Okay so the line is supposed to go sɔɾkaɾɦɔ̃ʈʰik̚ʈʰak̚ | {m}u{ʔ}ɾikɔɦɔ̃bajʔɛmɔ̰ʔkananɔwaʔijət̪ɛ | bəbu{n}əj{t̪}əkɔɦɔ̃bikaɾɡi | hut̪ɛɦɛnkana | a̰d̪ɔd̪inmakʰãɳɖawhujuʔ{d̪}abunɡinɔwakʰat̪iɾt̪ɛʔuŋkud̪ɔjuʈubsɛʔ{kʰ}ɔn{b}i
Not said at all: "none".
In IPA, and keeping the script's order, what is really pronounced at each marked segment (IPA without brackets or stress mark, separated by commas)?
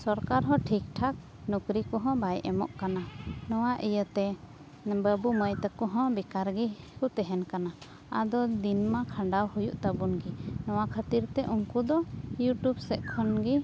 n, k, m, t̪, t̪, kʰ, ɡ